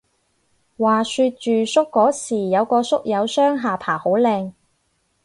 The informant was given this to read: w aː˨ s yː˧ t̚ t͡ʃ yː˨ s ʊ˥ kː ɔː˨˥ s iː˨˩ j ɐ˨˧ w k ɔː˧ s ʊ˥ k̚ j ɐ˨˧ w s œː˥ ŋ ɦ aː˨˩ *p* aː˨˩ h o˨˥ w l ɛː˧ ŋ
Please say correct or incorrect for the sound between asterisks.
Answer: incorrect